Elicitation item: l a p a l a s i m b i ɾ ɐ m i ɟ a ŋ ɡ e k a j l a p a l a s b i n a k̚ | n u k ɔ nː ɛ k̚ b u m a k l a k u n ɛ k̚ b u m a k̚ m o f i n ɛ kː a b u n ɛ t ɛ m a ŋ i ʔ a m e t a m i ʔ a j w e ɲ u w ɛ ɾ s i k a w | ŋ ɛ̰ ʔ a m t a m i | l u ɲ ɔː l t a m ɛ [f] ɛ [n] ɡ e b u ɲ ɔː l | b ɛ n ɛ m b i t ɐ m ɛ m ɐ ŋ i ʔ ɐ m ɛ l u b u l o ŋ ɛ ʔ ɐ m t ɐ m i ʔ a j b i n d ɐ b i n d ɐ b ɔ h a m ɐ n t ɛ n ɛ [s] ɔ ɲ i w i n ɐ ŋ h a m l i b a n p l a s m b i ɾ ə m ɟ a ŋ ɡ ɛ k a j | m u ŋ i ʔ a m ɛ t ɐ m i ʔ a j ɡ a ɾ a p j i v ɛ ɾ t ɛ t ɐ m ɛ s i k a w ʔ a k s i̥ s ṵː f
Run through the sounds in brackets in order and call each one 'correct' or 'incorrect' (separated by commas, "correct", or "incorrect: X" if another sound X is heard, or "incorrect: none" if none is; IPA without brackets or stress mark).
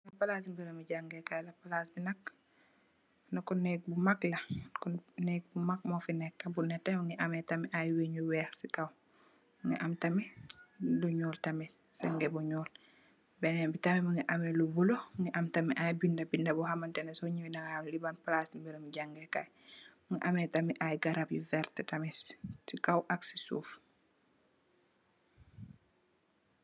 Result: incorrect: s, incorrect: ŋ, correct